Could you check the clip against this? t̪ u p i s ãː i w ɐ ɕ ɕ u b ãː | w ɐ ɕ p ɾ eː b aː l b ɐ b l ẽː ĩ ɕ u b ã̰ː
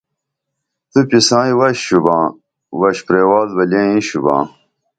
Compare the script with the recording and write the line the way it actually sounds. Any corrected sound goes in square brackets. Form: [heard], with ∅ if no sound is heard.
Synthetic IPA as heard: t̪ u p i s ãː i w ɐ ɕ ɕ u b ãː | w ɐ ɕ p ɾ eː [w] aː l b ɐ [∅] l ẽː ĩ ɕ u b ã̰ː

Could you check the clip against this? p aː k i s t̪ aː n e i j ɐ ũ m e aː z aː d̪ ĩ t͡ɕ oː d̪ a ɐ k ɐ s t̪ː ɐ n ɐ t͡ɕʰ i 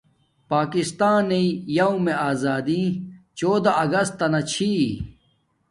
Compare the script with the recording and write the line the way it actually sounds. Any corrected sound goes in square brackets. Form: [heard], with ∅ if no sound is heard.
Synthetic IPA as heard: p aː k i s t̪ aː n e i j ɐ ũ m e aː z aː d̪ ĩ t͡ɕ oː d̪ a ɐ [ɡ] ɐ s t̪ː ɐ n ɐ t͡ɕʰ i

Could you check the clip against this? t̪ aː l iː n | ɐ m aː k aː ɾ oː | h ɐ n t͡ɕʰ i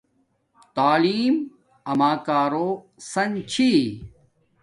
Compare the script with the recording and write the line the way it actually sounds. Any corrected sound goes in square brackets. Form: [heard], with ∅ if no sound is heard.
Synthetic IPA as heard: t̪ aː l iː [m] | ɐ m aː k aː ɾ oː | [s] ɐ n t͡ɕʰ i

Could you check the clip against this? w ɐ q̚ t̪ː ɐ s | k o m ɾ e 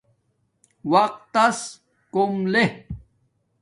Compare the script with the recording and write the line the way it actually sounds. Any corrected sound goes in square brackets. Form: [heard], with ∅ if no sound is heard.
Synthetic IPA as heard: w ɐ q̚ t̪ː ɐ s | k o m [l] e

